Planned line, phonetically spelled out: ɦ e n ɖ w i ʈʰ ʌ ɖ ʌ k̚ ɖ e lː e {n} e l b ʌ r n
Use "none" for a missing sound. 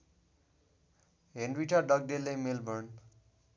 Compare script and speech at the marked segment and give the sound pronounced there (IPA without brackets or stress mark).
m